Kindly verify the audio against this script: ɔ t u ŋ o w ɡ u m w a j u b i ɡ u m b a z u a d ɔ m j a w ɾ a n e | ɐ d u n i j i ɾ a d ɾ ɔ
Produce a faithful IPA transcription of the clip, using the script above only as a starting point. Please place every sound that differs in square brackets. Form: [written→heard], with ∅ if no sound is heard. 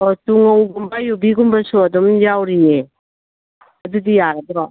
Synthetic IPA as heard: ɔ t u ŋ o w ɡ u m [w→b] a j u b i ɡ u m b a [z→s] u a d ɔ m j a w ɾ [a→i] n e | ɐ d u [n→d] i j [i→a] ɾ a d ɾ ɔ